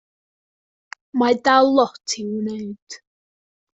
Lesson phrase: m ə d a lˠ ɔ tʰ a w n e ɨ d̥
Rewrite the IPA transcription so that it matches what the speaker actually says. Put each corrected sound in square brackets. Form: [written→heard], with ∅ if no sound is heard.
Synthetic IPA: m [ə→a] d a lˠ ɔ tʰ [a→i] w n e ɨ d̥